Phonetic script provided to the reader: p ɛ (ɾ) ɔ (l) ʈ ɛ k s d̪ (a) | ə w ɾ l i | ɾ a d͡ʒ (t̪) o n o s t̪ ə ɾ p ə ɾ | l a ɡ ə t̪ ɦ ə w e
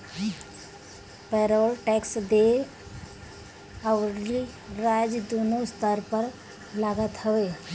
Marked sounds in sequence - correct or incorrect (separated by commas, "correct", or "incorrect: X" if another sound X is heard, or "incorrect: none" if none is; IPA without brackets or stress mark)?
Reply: correct, correct, incorrect: e, incorrect: d̪